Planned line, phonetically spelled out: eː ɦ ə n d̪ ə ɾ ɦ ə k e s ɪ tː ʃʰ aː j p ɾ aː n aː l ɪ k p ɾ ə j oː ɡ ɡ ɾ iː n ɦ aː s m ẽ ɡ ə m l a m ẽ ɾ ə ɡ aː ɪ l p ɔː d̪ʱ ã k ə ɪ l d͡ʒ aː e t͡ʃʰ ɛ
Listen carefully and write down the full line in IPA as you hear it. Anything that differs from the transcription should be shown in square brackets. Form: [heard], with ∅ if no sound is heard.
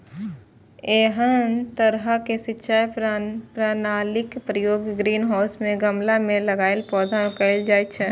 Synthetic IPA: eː ɦ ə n [t̪] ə ɾ ɦ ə k e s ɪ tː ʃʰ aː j p ɾ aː n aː l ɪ k p ɾ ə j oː ɡ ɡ ɾ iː n ɦ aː s m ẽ ɡ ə m l a m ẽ [l] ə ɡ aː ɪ l p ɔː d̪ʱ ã k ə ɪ l d͡ʒ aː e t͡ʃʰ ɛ

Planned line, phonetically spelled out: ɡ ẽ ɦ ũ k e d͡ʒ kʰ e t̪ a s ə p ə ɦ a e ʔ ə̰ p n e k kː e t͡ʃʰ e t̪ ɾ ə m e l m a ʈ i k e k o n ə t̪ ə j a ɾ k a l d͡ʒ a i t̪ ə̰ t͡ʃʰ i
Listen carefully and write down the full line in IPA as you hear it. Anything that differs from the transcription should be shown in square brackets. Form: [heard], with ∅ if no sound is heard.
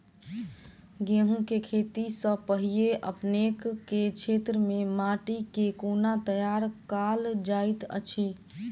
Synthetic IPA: ɡ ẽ ɦ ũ k e [∅] kʰ e t̪ [i] s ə p ə ɦ [i] e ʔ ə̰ p n e k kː e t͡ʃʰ e t̪ ɾ ə m e [∅] m a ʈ i k e k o n [a] t̪ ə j a ɾ k a l d͡ʒ a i t̪ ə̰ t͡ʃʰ i

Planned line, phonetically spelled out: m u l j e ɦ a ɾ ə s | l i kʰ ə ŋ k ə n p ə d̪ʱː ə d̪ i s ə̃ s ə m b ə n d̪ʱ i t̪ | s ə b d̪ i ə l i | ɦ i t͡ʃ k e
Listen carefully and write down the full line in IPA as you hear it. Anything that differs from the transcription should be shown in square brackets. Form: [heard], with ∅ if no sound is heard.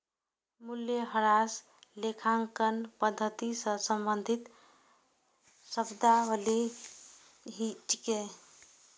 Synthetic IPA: m u l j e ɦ [ə] ɾ [a] s | l [e] kʰ [a] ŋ k ə n p ə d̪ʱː ə [t̪] i s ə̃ s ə m b ə n d̪ʱ i t̪ | s ə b d̪ [a] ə l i | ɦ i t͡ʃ k e

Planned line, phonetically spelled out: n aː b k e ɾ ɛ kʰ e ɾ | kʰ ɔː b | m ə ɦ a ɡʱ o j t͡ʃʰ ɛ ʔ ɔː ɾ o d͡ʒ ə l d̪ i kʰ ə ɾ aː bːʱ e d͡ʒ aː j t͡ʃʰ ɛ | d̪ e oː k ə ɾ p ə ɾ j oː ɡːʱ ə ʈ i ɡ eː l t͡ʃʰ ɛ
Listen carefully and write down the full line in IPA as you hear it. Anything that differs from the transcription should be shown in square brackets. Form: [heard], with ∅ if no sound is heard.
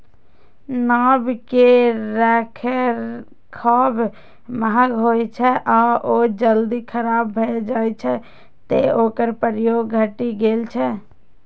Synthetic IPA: n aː b k e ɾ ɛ kʰ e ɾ | kʰ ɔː b | m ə ɦ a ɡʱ o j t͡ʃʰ ɛ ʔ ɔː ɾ o d͡ʒ ə l d̪ i kʰ ə ɾ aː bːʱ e d͡ʒ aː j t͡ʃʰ ɛ | [t̪] e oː k ə ɾ p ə ɾ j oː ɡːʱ ə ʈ i ɡ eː l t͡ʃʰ ɛ

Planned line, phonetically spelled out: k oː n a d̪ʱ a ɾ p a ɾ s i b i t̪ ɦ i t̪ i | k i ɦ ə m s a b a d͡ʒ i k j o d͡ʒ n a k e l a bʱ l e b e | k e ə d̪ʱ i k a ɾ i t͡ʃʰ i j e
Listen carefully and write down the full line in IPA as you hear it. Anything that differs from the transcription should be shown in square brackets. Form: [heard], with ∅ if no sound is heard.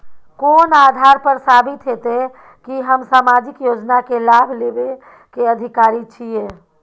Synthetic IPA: k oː n a d̪ʱ a ɾ p [ə] ɾ s [a] b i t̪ ɦ [e] t̪ [e] | k i ɦ ə m s a [m] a d͡ʒ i k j o d͡ʒ n a k e l a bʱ l e b e | k e ə d̪ʱ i k a ɾ i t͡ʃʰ i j e

